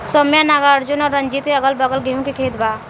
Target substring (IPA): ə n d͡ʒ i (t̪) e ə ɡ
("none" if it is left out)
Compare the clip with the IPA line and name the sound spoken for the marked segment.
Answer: t̪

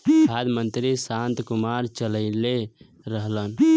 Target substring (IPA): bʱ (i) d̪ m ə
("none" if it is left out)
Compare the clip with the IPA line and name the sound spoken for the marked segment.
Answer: a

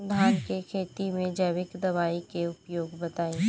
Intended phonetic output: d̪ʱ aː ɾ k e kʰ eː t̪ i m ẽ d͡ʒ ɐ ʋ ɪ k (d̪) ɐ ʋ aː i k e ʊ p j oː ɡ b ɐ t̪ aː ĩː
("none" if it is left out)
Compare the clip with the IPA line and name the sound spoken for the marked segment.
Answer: d̪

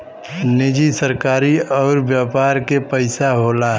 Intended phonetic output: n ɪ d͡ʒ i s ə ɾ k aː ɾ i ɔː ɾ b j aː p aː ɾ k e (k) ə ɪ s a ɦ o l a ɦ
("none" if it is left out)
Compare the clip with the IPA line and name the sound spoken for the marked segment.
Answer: p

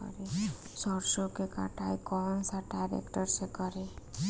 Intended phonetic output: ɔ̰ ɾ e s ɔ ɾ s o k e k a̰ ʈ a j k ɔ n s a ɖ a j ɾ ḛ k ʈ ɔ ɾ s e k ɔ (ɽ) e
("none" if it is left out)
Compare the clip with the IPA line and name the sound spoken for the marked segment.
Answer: ɾ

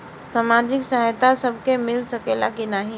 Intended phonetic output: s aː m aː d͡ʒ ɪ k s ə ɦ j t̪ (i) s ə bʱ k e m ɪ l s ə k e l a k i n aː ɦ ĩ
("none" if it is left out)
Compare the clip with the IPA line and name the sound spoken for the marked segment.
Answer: a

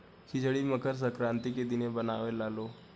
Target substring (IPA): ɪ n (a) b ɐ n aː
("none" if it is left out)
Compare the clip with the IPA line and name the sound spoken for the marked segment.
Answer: e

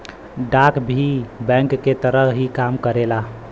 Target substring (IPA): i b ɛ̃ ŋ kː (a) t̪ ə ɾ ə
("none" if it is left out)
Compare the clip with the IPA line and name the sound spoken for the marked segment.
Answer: e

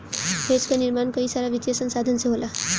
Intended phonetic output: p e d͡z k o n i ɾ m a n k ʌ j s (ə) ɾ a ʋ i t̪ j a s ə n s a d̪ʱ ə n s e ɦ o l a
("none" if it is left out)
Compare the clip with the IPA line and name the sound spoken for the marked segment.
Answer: a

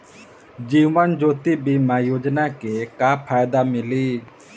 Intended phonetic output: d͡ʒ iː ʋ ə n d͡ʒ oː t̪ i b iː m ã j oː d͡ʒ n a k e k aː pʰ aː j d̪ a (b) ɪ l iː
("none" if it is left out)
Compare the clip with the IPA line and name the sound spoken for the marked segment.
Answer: m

